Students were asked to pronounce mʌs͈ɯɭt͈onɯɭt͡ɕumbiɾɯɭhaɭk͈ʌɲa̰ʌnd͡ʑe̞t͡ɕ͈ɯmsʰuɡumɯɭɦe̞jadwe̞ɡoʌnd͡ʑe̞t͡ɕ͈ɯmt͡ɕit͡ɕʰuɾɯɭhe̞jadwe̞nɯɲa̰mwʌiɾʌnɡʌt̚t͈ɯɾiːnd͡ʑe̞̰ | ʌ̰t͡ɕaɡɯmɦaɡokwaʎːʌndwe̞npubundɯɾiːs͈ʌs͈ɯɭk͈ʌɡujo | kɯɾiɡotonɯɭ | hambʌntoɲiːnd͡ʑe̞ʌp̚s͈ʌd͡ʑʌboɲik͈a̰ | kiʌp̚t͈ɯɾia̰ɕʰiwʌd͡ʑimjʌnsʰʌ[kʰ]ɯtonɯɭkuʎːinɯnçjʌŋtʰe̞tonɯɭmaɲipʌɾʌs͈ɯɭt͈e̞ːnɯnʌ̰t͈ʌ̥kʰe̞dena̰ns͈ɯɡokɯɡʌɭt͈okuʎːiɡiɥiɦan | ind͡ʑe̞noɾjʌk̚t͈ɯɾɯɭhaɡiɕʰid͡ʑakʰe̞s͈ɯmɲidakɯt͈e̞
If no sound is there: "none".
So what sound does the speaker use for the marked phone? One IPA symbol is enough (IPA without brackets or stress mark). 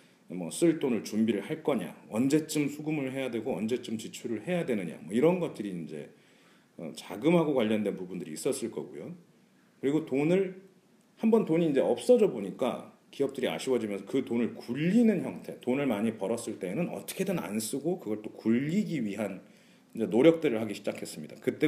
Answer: k